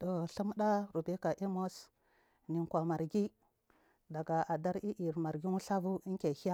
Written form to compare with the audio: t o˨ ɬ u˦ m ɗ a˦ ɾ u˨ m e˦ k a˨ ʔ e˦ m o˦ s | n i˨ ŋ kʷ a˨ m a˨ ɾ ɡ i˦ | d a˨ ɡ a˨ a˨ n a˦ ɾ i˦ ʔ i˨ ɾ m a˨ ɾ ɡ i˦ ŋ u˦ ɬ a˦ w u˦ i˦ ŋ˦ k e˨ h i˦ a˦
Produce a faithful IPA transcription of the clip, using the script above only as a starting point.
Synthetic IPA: t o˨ ɬ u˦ m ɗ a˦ ɾ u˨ b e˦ k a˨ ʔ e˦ m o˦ s | n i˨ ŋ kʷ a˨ m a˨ ɾ ɡ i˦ | d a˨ ɡ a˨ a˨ d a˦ ɾ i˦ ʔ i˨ ɾ m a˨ ɾ ɡ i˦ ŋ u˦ ɬ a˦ v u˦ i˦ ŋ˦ k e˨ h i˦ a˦